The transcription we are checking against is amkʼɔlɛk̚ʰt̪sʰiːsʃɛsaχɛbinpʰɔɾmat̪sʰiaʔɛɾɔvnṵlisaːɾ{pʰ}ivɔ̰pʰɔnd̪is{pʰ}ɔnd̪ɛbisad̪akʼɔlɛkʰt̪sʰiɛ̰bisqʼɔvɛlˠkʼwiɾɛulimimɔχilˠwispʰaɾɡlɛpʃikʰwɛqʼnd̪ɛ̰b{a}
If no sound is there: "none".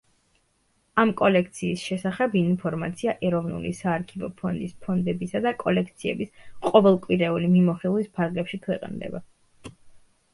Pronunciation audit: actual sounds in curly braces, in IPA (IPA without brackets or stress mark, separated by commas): kʰ, pʰ, a